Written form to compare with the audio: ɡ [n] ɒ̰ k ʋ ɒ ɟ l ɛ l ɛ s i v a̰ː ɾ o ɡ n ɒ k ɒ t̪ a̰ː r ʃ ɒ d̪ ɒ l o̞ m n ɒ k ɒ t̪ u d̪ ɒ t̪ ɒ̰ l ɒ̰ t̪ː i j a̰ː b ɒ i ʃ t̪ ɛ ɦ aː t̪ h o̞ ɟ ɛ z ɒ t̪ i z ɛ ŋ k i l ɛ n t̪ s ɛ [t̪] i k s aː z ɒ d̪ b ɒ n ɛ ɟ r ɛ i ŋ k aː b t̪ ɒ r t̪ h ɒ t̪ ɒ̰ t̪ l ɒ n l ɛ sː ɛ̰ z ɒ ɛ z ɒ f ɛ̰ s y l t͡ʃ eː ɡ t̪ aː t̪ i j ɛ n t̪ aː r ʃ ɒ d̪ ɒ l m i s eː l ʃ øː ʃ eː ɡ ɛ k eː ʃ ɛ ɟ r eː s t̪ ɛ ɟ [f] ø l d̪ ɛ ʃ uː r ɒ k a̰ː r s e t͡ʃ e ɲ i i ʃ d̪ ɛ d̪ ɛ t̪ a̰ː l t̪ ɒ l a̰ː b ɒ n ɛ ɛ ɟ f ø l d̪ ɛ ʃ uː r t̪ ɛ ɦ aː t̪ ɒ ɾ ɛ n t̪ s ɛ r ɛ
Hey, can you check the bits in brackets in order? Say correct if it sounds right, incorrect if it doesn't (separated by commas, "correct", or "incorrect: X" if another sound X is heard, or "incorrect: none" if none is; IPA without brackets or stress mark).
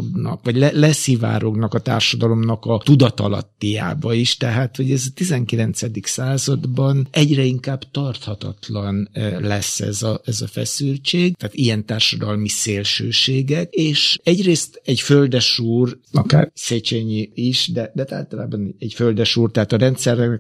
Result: correct, incorrect: d̪, correct